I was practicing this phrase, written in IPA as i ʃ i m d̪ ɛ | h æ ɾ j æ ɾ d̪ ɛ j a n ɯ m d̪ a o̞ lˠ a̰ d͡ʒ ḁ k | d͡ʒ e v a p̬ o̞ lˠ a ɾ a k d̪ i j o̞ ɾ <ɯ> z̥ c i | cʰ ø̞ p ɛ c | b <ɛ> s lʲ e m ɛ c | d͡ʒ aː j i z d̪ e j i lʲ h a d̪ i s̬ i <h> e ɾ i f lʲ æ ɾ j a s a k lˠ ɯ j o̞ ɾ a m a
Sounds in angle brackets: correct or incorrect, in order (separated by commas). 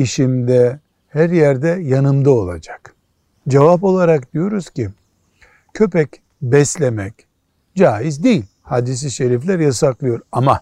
incorrect, correct, incorrect